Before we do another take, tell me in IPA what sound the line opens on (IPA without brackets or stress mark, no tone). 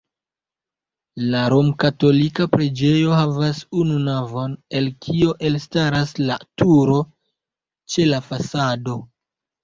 l